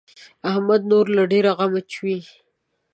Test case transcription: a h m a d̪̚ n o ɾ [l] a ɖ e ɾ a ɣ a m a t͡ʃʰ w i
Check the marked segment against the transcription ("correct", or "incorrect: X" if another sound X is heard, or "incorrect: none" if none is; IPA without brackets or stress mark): correct